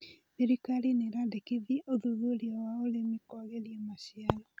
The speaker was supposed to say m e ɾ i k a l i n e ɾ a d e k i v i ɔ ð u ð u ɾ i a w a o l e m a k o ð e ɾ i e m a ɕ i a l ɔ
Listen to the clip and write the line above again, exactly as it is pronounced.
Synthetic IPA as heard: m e ɾ i k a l i n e ɾ a d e k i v i o ð u ð u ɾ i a w a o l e m i k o ɣ e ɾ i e m a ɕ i a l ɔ